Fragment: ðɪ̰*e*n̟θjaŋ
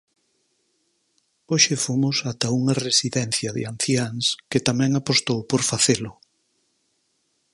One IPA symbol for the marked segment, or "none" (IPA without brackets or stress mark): a